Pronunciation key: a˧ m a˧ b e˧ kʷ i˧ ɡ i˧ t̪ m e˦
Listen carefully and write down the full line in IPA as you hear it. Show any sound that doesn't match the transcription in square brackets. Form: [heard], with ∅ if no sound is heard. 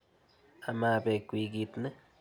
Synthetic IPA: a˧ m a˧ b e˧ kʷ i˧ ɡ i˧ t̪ [n] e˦